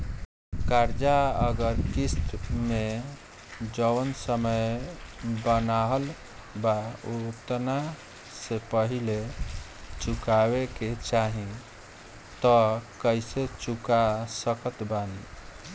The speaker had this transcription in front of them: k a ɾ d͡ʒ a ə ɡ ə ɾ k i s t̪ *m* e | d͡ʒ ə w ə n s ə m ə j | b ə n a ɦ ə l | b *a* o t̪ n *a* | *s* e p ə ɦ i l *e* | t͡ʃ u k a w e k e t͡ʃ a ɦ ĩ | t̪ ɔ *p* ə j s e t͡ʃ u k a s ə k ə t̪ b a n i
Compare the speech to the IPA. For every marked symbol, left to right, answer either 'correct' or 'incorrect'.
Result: correct, correct, correct, correct, correct, incorrect

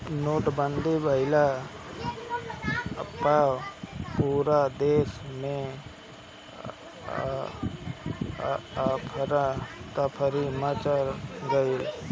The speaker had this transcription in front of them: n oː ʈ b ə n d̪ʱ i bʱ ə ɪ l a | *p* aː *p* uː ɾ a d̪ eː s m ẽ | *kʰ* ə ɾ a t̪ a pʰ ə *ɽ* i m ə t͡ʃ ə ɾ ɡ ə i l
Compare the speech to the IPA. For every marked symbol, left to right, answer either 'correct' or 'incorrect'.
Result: correct, correct, incorrect, incorrect

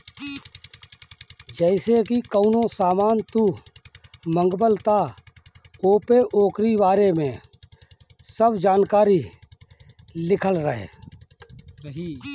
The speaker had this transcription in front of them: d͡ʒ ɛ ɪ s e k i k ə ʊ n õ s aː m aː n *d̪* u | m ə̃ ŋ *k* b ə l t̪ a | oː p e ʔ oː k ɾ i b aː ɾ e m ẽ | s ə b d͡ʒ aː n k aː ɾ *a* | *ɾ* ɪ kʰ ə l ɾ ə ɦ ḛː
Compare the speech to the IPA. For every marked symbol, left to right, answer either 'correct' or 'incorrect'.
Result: incorrect, incorrect, incorrect, incorrect

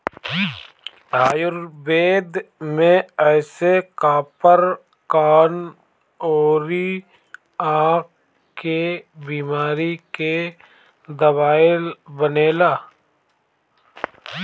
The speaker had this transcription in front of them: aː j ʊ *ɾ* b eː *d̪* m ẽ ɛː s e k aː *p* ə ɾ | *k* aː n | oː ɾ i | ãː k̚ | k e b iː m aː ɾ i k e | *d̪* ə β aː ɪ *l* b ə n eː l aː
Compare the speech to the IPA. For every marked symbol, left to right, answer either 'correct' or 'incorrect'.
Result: correct, correct, correct, correct, correct, correct

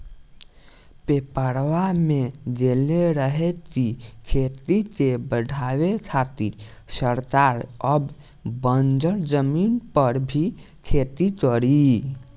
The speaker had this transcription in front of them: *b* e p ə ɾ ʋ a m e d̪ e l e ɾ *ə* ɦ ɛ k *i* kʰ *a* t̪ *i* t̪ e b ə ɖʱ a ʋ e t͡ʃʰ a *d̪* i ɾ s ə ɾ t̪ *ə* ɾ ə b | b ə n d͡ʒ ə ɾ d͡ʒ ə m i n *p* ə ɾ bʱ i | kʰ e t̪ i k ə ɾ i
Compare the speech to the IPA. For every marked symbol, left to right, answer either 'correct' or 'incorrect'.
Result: incorrect, correct, correct, incorrect, correct, incorrect, incorrect, correct

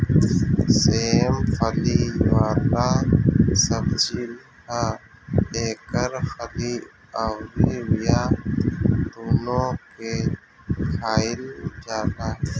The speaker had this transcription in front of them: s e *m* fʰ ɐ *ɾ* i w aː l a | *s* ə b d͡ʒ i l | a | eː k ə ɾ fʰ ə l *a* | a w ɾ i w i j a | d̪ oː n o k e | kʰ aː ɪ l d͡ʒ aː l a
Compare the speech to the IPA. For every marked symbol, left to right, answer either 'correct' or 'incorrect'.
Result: correct, incorrect, correct, incorrect

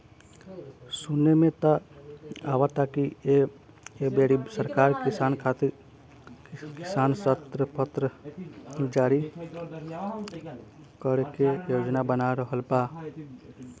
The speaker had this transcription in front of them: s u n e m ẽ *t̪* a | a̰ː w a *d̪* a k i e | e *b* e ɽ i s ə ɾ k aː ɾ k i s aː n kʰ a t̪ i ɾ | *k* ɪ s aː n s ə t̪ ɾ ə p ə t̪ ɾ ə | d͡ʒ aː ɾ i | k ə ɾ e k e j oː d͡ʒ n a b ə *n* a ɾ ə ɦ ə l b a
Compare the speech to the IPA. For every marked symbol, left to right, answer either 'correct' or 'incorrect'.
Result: correct, incorrect, correct, correct, correct

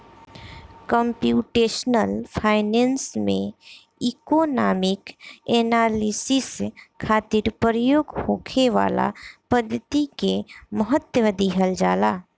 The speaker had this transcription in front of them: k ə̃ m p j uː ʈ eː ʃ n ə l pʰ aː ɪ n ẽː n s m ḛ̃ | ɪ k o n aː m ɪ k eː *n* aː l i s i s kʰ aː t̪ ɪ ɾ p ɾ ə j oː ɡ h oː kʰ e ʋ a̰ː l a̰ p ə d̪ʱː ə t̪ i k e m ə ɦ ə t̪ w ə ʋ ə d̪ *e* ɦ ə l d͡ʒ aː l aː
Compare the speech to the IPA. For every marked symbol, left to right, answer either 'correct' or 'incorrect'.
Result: correct, incorrect

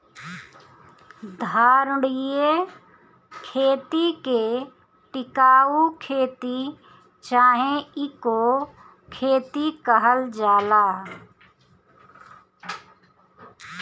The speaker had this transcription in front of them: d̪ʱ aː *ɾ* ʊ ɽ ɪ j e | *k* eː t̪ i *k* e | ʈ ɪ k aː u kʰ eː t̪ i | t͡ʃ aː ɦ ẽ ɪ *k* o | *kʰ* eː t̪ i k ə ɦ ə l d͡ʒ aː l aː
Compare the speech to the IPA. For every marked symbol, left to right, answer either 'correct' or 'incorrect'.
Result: correct, incorrect, correct, correct, correct

